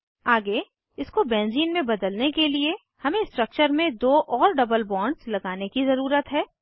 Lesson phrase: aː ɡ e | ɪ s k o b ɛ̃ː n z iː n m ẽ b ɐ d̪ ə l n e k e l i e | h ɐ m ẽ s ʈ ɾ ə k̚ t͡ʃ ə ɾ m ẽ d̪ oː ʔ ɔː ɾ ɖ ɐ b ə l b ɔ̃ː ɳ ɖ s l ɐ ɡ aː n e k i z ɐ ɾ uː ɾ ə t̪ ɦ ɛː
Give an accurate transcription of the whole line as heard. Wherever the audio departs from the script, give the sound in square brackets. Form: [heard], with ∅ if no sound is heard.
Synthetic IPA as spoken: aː ɡ e | ɪ s k o b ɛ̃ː n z iː n m ẽ b ɐ d̪ ə l n e k e l i e | h ɐ m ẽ s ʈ ɾ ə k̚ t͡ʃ ə ɾ m ẽ d̪ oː ʔ ɔː ɾ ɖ ɐ b ə l b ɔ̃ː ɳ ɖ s l ɐ ɡ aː n e k i z ɐ ɾ uː ɾ ə t̪ ɦ ɛː